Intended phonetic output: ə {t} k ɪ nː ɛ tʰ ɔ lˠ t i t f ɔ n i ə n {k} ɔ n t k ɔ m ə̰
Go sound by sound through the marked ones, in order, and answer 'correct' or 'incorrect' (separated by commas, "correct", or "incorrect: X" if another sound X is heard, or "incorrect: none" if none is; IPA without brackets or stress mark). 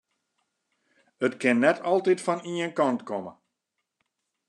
correct, correct